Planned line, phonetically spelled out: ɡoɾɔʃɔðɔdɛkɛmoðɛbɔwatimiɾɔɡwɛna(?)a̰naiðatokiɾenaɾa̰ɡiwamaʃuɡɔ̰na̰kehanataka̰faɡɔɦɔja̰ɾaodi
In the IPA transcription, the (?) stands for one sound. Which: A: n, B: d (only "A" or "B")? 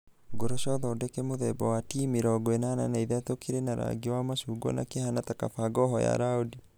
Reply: A